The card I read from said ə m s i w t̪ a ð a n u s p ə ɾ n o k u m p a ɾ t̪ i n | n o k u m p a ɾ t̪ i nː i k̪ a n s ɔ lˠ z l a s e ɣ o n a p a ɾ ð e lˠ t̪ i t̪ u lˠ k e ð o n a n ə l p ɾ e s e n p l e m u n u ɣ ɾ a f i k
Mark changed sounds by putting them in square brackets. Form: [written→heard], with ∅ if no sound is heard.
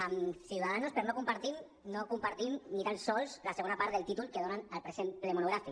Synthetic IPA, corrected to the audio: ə m s i w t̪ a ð a n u s p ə ɾ n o k u m p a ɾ t̪ i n | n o k u m p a ɾ t̪ i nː i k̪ a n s ɔ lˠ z l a s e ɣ o n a p a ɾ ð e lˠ t̪ i t̪ u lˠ k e ð o n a n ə l p ɾ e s e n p l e m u n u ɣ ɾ a f i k

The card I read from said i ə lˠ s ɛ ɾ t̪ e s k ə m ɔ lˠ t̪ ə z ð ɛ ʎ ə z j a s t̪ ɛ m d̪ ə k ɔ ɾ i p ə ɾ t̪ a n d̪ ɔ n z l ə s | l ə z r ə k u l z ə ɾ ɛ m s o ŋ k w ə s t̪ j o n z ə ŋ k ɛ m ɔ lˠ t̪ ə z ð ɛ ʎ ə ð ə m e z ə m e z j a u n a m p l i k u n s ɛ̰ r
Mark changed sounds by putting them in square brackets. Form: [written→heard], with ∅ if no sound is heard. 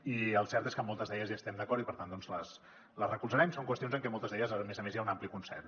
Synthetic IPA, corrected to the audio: i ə lˠ s ɛ ɾ t̪ e s k ə m ɔ lˠ t̪ ə z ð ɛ ʎ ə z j a s t̪ ɛ m d̪ ə k ɔ ɾ i p ə ɾ t̪ a n d̪ ɔ n z l ə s | l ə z r ə k u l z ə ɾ ɛ m s o ŋ k w ə s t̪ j o n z ə ŋ k ɛ m ɔ lˠ t̪ ə z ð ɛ ʎ ə [ð→z] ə m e z ə m e z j a u n a m p l i k u n s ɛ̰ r

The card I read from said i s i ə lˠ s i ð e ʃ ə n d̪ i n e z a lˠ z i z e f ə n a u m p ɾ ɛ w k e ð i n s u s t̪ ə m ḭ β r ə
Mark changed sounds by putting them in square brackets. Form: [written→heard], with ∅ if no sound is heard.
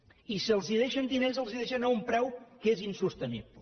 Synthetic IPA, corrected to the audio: i s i ə lˠ [s→z] i ð e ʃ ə n d̪ i n e z [a→ə] lˠ z i [z→ð] e [f→ʃ] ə n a u m p ɾ ɛ w k e [ð→z] i n s u s t̪ ə [m→n] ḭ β [r→l] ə

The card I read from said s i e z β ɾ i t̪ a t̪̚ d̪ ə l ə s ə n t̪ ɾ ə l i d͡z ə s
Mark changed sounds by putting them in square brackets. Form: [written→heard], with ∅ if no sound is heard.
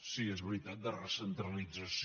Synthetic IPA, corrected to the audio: s i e z β ɾ i t̪ a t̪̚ d̪ ə [l→r] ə s ə n t̪ ɾ ə l i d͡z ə s

